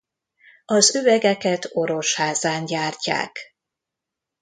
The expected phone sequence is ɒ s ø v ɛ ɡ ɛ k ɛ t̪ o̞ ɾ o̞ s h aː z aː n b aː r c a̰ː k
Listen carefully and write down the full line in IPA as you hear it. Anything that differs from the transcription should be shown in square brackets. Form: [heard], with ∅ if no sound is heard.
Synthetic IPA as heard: ɒ [z] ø v ɛ ɡ ɛ k ɛ t̪ o̞ ɾ o̞ [ʃ] h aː z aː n [ɟ] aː r c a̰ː k